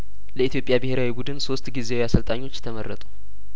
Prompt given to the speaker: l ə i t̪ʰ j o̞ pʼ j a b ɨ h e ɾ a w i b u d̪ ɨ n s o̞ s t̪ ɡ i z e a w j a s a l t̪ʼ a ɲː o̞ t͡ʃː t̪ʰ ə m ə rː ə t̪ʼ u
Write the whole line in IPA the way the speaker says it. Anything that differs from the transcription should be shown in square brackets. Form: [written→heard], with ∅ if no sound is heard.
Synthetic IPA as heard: l ə i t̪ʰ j o̞ pʼ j a b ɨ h e ɾ a w i b u d̪ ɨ n s o̞ s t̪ ɡ i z e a w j a s [a→ə] l t̪ʼ a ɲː o̞ t͡ʃː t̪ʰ ə m ə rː ə t̪ʼ u